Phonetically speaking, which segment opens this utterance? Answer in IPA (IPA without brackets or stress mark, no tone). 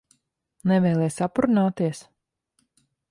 n